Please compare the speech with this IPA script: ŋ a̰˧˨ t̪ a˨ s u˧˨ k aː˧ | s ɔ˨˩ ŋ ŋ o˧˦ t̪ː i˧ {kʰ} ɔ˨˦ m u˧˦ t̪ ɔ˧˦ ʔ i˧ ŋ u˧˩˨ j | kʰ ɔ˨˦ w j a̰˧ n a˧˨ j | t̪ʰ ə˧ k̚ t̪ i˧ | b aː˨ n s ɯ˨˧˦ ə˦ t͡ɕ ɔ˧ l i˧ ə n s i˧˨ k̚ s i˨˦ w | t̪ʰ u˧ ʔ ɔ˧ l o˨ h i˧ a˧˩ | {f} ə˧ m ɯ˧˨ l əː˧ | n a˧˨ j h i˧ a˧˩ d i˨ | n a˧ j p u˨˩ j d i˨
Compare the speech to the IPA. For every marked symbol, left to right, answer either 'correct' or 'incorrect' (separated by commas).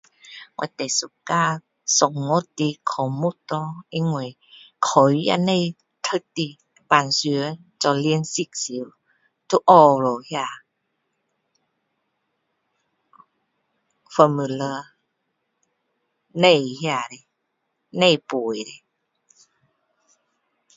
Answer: correct, correct